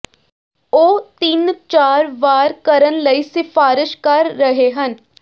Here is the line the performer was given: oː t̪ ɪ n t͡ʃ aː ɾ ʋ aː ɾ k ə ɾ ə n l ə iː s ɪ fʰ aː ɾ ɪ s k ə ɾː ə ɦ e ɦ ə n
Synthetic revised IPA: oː t̪ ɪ n t͡ʃ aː ɾ ʋ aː ɾ k ə ɾ ə n l ə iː s ɪ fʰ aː ɾ ɪ ʃ k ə ɾː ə ɦ e ɦ ə n